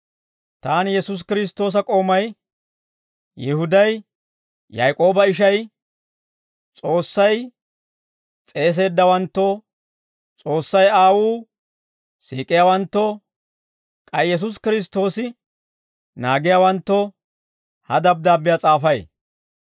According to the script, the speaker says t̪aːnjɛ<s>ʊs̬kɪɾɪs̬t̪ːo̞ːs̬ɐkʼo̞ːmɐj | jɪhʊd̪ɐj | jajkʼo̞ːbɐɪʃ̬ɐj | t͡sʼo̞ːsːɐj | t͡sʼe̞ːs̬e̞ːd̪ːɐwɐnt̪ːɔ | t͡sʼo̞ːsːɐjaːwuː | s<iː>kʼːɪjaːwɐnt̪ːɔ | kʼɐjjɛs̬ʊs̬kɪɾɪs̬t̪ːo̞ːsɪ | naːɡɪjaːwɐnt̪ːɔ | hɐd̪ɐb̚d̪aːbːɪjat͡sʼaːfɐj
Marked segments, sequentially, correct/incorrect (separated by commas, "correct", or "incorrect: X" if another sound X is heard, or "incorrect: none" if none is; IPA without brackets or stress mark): correct, correct